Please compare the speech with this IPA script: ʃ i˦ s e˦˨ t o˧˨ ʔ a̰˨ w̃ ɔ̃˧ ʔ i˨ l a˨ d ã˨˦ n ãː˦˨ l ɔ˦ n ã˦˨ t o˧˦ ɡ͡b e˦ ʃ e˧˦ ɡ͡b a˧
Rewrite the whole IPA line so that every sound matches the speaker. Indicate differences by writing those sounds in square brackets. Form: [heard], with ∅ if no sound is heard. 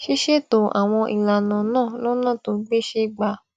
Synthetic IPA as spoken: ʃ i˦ [ʃ] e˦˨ t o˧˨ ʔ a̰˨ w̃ ɔ̃˧ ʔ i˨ l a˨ [n] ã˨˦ n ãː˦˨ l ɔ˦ n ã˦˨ t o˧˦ ɡ͡b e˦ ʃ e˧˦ ɡ͡b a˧